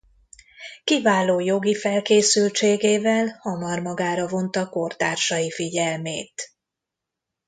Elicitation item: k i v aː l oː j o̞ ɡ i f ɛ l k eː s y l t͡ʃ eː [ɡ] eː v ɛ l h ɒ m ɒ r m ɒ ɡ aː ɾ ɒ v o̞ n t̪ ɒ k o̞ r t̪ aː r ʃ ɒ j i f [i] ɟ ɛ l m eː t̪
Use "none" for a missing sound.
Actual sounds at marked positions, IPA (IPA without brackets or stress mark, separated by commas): ɡ, i